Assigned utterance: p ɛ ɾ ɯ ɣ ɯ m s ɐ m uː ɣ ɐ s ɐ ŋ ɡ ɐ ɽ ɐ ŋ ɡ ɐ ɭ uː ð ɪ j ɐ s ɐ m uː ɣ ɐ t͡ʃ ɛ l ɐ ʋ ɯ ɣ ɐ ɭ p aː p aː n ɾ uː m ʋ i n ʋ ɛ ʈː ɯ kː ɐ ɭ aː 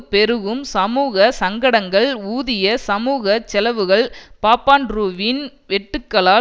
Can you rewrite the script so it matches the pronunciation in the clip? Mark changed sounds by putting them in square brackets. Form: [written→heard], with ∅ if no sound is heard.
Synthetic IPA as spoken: p ɛ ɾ ɯ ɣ ɯ m s ɐ m uː ɣ ɐ s ɐ ŋ ɡ ɐ ɽ ɐ ŋ ɡ ɐ ɭ uː ð ɪ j ɐ s ɐ m uː ɣ ɐ t͡ʃ ɛ l ɐ ʋ ɯ ɣ ɐ ɭ p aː p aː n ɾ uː [m→∅] ʋ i n ʋ ɛ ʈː ɯ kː ɐ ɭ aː

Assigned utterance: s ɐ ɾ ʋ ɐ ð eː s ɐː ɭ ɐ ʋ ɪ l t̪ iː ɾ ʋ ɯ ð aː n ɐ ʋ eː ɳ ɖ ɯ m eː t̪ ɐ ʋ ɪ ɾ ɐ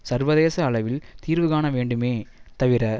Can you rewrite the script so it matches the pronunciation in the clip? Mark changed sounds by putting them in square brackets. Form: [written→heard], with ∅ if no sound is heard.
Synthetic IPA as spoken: s ɐ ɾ ʋ ɐ ð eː s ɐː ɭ ɐ ʋ ɪ l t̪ iː ɾ ʋ ɯ [ð→ɣ] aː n ɐ ʋ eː ɳ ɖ ɯ m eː t̪ ɐ ʋ ɪ ɾ ɐ

